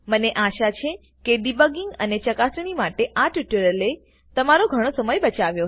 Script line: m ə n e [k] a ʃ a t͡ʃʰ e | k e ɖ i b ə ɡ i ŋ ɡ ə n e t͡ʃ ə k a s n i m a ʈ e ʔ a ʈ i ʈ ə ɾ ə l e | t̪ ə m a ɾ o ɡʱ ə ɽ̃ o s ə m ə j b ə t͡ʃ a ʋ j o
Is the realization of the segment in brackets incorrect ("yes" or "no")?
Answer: yes